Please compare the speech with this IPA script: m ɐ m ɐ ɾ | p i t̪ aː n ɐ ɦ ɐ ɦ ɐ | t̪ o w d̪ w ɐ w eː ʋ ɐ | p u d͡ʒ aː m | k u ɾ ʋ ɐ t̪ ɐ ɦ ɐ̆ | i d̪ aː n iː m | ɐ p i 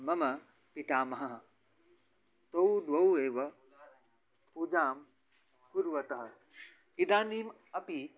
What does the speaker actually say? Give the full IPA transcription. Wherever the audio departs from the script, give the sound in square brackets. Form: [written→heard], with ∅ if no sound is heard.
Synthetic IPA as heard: m ɐ m ɐ [ɾ→∅] | p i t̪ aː [n→m] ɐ ɦ ɐ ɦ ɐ | t̪ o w d̪ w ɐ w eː ʋ ɐ | p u d͡ʒ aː m | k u ɾ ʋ ɐ t̪ ɐ ɦ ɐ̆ | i d̪ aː n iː m | ɐ p i